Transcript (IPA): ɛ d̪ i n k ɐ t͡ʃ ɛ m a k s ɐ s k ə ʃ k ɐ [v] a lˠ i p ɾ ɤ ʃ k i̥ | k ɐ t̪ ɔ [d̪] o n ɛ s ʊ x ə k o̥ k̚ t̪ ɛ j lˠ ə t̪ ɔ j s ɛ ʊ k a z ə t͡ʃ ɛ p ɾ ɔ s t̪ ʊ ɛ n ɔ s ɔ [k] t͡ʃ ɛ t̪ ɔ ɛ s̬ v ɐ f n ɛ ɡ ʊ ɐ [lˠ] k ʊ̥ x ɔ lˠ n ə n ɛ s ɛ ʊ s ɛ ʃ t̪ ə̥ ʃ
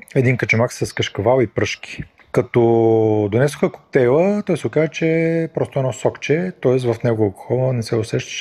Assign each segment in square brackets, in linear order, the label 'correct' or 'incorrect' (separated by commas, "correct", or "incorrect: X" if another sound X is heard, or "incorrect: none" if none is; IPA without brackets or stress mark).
correct, correct, correct, correct